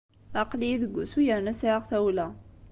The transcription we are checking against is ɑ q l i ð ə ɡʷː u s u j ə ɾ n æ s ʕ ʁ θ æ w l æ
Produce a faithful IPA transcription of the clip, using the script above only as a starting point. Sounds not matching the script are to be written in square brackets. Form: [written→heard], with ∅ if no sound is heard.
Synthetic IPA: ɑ q l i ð ə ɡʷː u s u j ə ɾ n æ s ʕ ʁ θ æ w l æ

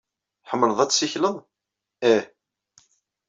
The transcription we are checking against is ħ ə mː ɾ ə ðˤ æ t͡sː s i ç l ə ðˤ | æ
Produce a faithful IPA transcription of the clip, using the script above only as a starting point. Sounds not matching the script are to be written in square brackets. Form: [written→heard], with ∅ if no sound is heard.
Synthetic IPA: ħ ə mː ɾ ə ðˤ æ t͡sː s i ç l ə ðˤ | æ

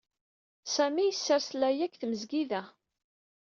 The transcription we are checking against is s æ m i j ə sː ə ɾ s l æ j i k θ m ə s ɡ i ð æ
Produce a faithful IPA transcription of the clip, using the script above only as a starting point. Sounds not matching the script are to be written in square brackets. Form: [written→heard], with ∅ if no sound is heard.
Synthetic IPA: s æ m i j ə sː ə ɾ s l æ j [i→æ] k θ m ə [s→z] ɡ i ð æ

